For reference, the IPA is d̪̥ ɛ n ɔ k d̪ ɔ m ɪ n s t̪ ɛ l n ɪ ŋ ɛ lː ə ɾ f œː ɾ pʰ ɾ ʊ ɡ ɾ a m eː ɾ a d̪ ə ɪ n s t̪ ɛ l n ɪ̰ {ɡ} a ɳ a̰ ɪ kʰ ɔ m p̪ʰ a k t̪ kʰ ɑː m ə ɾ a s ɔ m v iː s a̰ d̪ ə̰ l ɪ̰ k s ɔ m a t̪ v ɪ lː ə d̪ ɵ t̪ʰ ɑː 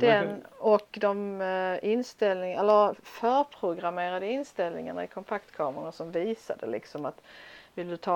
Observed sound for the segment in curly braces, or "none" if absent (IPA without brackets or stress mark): ŋ